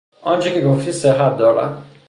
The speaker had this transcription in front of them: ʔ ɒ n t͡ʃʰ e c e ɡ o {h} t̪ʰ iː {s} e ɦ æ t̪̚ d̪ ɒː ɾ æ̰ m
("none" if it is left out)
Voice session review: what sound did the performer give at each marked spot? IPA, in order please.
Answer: f, s

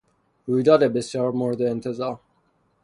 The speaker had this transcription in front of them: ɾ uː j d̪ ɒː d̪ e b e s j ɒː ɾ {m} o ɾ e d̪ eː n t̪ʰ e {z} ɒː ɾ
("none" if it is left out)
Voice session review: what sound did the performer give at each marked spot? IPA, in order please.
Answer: m, z

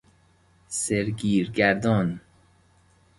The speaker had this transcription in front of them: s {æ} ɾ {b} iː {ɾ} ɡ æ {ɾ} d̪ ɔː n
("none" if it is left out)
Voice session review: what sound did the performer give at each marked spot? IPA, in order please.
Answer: e, ɡ, ɾ, ɾ

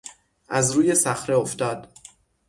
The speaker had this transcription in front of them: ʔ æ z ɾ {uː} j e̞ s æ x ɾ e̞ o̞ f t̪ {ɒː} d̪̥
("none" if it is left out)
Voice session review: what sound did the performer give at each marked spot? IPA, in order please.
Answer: uː, ɒː

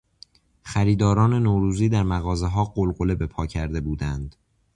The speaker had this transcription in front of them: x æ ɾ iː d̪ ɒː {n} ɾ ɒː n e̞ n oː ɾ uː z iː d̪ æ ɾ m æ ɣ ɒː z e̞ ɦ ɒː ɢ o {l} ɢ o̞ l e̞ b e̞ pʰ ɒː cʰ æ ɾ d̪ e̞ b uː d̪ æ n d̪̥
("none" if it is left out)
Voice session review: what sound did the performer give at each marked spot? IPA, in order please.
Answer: none, l

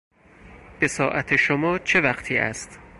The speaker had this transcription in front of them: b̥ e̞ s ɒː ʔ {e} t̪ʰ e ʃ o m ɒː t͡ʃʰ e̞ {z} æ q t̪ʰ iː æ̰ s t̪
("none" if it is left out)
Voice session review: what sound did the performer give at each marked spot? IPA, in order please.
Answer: æ, v

